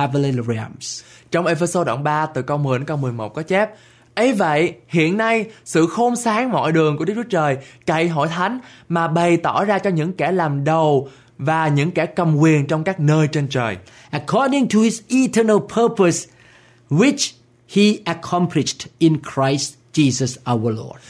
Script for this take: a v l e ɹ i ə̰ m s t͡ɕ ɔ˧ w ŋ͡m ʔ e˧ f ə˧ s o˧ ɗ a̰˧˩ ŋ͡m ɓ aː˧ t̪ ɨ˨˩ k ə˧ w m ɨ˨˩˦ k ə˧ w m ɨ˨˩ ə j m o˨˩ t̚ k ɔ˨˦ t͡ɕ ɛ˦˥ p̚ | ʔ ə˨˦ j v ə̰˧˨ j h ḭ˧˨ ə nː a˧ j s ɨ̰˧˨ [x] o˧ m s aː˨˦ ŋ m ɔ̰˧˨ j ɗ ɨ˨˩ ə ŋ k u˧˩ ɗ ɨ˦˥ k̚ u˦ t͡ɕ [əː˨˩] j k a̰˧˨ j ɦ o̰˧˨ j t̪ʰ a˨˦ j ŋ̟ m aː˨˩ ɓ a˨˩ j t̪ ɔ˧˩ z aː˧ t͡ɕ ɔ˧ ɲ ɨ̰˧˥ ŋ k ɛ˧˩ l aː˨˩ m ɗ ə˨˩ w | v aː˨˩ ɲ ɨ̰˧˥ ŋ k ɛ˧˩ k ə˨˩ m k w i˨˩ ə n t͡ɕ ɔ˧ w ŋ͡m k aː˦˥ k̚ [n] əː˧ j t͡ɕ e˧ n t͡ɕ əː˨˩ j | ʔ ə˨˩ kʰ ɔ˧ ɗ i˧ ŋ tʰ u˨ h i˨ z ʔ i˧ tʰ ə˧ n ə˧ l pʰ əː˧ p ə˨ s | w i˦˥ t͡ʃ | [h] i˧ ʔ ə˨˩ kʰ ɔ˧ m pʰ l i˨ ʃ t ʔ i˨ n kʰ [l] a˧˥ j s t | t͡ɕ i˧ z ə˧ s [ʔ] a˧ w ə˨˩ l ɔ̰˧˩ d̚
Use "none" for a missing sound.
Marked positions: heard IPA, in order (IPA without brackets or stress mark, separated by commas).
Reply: x, əː˨˩, n, h, ɹ, ʔ